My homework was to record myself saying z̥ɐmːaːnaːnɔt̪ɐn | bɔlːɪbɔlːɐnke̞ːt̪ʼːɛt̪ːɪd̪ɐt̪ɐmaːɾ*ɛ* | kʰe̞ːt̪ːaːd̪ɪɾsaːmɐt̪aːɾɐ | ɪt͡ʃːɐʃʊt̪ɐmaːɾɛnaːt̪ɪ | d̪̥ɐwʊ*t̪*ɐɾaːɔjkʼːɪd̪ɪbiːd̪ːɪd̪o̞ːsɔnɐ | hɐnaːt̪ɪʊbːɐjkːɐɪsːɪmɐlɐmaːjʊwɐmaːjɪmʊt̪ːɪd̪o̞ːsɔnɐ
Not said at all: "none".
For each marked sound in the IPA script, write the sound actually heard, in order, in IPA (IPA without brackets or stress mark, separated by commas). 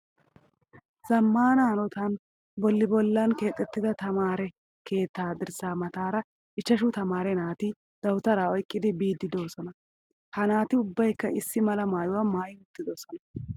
ɛ, t̪